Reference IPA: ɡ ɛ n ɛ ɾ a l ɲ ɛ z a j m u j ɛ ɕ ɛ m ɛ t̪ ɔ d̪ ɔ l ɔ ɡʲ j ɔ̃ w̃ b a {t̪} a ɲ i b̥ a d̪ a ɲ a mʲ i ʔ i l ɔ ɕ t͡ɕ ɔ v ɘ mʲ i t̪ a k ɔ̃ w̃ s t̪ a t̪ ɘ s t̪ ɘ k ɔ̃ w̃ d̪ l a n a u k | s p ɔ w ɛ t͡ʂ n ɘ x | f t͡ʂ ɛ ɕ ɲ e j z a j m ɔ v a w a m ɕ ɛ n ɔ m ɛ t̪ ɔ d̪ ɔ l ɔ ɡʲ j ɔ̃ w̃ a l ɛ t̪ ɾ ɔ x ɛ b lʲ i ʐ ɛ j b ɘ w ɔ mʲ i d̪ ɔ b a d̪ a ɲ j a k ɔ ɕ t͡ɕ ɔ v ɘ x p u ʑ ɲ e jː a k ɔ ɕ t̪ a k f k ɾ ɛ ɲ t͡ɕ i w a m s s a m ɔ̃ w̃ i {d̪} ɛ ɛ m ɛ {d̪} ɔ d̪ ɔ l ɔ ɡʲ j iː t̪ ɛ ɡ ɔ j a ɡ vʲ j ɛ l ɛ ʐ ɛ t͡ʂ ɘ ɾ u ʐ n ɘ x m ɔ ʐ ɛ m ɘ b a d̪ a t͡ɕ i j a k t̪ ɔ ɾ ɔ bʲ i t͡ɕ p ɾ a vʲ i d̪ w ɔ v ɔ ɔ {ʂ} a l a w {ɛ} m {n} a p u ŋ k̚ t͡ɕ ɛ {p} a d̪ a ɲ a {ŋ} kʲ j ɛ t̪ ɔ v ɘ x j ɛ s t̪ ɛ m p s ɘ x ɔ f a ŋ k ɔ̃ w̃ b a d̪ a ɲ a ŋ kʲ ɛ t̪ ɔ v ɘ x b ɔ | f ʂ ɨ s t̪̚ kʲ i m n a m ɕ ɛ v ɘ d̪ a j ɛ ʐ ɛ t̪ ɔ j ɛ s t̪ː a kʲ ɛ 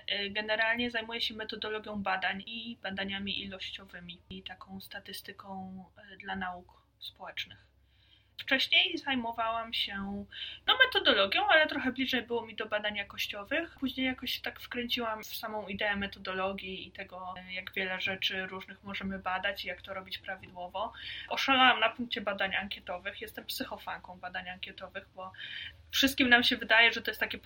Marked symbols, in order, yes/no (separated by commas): no, yes, no, yes, no, yes, no, yes